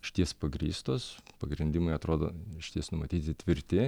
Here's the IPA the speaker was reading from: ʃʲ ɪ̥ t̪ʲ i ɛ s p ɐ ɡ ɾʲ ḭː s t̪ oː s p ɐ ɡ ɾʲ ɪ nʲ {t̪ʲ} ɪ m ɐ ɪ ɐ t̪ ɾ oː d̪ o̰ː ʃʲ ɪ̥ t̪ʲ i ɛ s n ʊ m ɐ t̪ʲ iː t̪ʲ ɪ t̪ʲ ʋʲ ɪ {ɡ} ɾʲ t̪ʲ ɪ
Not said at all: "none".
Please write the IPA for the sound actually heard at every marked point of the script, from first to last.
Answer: d̪ʲ, none

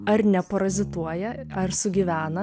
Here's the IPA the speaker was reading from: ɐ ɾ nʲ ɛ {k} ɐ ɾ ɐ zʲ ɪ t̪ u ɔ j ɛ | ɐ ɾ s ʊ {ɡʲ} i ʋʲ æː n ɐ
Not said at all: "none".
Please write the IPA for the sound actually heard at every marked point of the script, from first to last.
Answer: p, ɡʲ

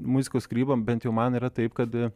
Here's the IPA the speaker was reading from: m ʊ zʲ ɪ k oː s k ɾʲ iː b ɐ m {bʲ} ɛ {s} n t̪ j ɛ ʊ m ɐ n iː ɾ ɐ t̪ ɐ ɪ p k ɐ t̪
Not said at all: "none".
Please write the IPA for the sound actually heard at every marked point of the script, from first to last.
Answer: bʲ, none

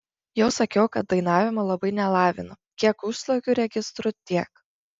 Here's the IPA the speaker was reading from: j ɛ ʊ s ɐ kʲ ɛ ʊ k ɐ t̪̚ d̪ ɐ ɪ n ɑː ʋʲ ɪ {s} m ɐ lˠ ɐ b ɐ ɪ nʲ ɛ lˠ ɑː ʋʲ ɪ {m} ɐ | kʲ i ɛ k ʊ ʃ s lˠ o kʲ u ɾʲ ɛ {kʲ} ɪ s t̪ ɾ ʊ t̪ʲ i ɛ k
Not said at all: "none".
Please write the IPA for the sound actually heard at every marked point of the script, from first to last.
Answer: none, n, ɡʲ

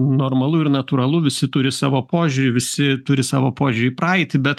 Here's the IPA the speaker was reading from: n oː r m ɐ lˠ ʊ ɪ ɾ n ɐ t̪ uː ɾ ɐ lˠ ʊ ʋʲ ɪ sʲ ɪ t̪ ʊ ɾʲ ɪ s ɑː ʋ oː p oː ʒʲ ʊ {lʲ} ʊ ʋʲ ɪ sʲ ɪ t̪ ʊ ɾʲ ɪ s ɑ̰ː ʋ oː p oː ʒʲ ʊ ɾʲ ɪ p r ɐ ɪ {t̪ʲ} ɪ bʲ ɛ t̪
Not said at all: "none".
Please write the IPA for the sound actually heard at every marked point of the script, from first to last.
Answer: ɾʲ, t̪ʲ

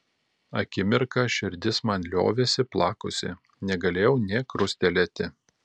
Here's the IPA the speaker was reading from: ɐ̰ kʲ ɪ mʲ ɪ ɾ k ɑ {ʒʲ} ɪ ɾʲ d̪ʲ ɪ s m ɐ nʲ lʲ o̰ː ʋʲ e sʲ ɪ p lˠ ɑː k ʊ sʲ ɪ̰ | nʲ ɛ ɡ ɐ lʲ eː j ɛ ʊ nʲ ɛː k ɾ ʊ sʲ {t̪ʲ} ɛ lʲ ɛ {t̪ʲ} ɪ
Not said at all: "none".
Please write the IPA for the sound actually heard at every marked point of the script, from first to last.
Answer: ʃʲ, t̪ʲ, t̪ʲ

